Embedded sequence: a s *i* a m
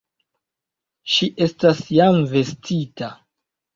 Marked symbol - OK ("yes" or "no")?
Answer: no